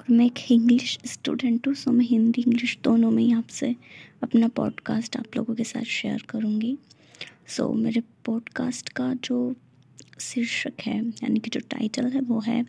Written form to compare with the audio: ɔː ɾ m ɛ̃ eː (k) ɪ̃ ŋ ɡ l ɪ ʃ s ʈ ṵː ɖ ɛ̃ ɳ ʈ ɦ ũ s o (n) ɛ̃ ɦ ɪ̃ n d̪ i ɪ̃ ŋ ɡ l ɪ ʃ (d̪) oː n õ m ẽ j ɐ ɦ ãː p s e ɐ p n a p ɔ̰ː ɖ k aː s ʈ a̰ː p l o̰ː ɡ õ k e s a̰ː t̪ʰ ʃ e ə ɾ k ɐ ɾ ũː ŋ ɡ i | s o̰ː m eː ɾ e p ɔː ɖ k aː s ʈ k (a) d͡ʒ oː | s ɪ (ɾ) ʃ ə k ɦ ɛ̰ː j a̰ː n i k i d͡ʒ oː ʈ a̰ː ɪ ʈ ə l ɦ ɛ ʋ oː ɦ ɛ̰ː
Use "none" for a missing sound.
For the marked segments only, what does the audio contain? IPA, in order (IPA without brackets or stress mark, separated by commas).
k, m, d̪, a, ɾ